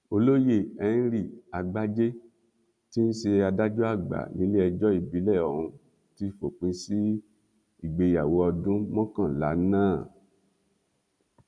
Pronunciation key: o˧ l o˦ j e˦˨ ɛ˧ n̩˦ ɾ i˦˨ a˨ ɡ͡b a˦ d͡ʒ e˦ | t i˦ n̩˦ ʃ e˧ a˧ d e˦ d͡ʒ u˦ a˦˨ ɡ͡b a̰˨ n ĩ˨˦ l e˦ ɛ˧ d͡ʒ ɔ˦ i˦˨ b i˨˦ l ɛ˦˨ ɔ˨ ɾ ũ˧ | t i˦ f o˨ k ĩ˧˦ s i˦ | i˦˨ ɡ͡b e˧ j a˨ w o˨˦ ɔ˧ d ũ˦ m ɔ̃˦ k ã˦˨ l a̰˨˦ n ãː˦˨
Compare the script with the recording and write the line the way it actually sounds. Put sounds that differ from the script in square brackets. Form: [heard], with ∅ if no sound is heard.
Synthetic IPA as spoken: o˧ l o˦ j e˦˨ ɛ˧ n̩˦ ɾ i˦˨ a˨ ɡ͡b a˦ d͡ʒ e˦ | t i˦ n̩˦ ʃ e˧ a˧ d [a˦] d͡ʒ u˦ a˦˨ ɡ͡b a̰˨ n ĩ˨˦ l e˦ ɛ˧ d͡ʒ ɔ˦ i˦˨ b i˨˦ l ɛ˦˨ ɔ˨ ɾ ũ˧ | t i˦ f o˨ [k͡p] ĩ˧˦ s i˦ | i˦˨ ɡ͡b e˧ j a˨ w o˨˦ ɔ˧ d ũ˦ m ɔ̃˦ k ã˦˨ l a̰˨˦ n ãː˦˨